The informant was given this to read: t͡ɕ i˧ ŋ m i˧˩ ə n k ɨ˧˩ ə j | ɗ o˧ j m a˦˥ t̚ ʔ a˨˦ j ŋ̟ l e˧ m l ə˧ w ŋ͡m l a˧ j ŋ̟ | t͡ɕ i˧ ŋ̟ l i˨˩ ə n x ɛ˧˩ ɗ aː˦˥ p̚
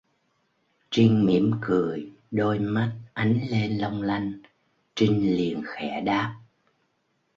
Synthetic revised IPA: t͡ɕ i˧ ŋ m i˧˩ ə m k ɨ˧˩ ə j | ɗ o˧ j m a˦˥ t̚ ʔ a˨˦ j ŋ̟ l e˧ n l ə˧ w ŋ͡m l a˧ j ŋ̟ | t͡ɕ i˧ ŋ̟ l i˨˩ ə n x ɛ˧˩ ɗ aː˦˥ p̚